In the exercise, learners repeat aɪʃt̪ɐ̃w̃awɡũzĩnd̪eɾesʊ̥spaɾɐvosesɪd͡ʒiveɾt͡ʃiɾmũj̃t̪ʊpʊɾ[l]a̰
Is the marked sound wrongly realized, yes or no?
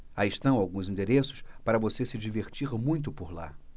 no